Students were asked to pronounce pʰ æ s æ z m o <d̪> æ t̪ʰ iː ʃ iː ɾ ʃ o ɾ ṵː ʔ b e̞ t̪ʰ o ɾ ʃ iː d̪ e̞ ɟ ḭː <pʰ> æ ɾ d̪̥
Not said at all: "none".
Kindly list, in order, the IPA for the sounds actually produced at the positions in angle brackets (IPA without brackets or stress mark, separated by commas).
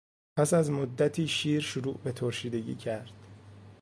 d̪ː, cʰ